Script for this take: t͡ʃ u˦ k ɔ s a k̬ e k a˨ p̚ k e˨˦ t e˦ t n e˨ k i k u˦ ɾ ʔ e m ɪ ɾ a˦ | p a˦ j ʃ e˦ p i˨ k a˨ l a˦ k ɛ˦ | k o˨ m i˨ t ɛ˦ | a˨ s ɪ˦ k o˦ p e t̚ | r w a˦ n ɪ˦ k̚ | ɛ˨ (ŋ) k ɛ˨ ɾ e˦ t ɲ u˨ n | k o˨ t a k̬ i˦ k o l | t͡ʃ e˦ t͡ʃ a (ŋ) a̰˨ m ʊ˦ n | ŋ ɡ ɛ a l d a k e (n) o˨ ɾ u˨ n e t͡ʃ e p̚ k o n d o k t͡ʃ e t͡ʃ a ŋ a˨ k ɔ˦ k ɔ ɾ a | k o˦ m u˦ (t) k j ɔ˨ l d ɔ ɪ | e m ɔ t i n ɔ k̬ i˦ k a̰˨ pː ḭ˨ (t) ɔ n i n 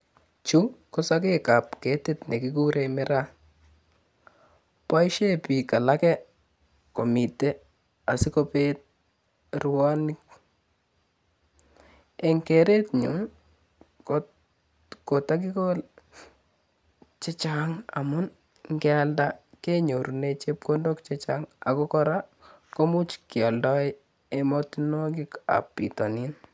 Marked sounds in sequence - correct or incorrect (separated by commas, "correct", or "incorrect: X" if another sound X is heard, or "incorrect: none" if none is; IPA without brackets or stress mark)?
correct, correct, incorrect: ɲ, incorrect: t͡ʃ, correct